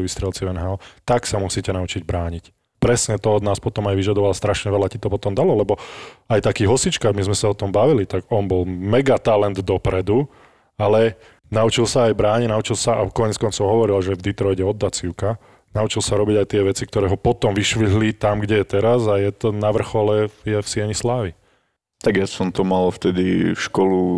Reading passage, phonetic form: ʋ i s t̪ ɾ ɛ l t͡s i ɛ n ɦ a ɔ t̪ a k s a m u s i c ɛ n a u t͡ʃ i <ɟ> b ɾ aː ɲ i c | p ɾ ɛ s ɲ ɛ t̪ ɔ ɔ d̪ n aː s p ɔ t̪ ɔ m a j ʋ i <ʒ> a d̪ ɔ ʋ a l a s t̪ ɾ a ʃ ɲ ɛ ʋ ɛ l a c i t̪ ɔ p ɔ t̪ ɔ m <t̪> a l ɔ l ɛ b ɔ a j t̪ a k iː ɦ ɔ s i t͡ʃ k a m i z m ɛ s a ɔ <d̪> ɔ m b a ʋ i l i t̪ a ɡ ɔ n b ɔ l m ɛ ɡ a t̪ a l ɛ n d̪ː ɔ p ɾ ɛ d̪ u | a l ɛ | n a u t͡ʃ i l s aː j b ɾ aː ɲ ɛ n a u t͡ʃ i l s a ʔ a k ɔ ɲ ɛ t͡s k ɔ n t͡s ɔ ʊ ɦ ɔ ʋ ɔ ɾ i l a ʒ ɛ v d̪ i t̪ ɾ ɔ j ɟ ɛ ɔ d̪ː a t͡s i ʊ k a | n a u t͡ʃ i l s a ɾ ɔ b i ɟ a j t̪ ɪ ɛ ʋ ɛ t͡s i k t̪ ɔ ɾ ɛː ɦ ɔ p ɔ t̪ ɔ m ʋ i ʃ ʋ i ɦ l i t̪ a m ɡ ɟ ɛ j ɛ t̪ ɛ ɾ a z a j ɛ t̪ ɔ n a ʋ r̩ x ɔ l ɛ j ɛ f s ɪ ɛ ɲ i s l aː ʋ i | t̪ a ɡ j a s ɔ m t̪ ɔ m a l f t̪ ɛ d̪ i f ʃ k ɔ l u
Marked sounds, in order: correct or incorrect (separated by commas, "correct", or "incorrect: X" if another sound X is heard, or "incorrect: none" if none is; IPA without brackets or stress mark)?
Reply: correct, correct, incorrect: d̪, incorrect: t̪